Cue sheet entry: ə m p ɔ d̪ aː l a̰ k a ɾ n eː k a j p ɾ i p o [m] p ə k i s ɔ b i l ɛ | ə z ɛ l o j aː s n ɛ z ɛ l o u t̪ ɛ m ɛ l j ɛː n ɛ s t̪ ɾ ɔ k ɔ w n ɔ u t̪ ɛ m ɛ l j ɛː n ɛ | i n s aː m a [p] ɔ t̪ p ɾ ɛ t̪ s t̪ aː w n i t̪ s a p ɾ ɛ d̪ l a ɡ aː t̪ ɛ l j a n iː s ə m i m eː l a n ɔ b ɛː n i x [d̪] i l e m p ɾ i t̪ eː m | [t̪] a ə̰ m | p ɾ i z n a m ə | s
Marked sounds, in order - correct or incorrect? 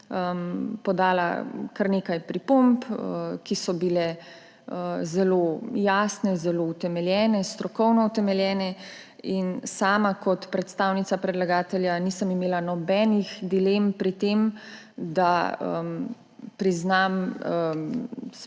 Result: correct, incorrect: k, correct, incorrect: d̪

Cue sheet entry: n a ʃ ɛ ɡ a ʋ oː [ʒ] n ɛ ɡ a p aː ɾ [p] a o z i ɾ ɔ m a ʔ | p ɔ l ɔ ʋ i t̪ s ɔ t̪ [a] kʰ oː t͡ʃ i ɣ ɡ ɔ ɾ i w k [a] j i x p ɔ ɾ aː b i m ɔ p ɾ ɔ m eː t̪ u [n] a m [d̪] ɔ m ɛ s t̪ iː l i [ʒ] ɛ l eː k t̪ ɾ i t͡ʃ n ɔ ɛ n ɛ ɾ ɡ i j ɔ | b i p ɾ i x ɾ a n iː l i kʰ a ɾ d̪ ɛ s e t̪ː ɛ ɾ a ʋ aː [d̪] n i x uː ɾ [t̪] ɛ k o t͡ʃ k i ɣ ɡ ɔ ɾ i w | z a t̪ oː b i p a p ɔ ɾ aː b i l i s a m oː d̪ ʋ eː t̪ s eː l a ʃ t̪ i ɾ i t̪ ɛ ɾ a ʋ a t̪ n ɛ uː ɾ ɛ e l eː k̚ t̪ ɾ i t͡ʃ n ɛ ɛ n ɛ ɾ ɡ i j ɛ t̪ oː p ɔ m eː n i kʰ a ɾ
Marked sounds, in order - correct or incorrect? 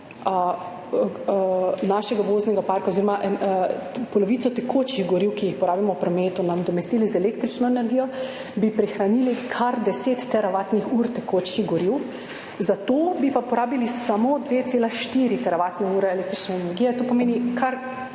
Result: incorrect: z, incorrect: k, incorrect: ɛ, incorrect: i, correct, correct, incorrect: z, incorrect: t̪, correct

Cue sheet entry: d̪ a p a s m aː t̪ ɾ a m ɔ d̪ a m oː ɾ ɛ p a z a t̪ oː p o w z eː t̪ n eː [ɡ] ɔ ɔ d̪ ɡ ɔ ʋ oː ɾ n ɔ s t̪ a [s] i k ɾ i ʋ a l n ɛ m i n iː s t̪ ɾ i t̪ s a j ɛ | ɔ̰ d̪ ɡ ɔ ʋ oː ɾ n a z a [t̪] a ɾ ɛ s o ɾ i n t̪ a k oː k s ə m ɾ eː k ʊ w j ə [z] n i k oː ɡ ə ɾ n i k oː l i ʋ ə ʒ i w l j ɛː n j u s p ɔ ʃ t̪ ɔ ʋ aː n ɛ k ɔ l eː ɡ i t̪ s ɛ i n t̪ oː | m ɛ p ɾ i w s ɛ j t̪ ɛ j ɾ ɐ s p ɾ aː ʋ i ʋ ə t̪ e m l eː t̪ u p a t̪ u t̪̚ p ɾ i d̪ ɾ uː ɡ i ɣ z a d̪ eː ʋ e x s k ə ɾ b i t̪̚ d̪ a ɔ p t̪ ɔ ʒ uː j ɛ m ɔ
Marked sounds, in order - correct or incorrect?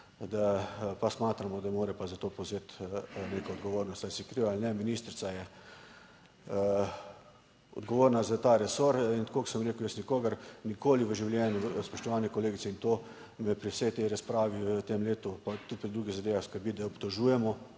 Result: incorrect: k, correct, correct, incorrect: s

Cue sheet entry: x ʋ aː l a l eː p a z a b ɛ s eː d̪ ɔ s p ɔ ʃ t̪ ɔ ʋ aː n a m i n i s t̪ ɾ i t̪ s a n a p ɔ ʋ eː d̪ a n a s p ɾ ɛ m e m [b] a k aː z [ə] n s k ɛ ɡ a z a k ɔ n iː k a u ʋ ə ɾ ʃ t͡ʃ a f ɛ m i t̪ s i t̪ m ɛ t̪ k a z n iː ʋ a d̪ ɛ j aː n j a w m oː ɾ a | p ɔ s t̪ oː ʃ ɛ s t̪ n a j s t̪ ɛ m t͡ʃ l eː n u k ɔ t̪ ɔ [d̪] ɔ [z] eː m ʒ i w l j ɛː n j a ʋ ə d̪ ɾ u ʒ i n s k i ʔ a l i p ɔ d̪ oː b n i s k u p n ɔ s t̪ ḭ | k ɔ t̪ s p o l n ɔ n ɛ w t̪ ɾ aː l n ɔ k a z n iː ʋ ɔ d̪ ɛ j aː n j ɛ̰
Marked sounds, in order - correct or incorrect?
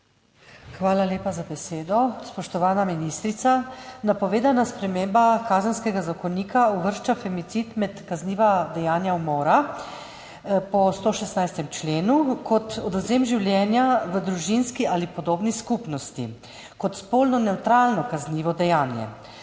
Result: correct, correct, correct, correct

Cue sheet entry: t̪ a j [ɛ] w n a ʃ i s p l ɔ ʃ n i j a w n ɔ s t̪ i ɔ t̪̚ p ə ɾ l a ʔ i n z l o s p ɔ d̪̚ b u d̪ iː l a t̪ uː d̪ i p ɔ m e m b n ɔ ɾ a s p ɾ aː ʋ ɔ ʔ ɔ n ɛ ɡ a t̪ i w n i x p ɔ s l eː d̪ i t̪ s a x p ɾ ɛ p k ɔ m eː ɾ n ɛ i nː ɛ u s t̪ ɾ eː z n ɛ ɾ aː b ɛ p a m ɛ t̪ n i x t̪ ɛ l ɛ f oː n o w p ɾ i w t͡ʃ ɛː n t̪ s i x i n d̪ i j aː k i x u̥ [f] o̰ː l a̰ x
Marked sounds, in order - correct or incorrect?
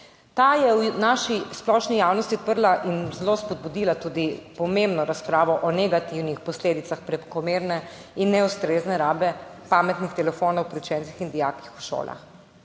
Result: correct, incorrect: ʃ

